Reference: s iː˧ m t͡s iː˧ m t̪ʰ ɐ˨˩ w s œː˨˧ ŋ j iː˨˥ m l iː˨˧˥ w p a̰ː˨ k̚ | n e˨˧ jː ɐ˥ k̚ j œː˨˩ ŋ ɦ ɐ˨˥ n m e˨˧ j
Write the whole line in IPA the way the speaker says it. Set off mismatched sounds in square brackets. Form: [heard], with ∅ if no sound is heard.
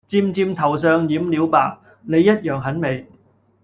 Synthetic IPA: [t͡s] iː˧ m t͡s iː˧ m t̪ʰ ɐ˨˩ w s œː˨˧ ŋ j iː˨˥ m l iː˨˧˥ w p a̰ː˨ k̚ | n e˨˧ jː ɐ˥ [t̚] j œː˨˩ ŋ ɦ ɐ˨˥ n m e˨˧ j